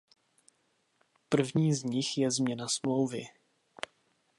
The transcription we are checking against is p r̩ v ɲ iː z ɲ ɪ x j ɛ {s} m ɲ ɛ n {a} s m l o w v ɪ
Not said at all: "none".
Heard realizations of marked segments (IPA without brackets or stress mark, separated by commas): z, a